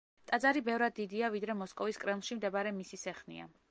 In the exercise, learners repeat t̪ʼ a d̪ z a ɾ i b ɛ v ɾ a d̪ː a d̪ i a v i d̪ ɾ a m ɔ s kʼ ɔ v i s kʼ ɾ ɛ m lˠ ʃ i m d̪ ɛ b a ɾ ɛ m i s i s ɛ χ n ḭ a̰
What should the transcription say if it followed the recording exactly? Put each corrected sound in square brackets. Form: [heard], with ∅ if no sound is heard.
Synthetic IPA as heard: t̪ʼ a d̪ z a ɾ i b ɛ v ɾ a d̪ː [i] d̪ i a v i d̪ ɾ [ɛ] m ɔ s kʼ ɔ v i s kʼ ɾ ɛ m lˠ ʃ i m d̪ ɛ b a ɾ ɛ m i s i s ɛ χ n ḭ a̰